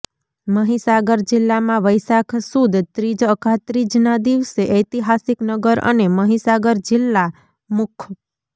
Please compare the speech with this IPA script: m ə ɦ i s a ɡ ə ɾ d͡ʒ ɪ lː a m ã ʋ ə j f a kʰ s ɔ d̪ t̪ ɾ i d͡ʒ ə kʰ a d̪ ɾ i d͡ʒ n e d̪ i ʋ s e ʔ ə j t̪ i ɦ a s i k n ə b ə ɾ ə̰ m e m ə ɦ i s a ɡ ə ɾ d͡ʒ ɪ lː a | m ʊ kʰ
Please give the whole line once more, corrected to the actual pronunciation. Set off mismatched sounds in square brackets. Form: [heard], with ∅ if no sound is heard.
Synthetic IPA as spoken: m ə ɦ i s a ɡ ə ɾ d͡ʒ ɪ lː a m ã ʋ ə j [s] a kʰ s [u] d̪ t̪ ɾ i d͡ʒ ə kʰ a [t̪] ɾ i d͡ʒ n [a] d̪ i ʋ s e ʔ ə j t̪ i ɦ a s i k n ə [ɡ] ə ɾ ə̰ [n] e m ə ɦ i s a ɡ ə ɾ d͡ʒ ɪ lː a | m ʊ kʰ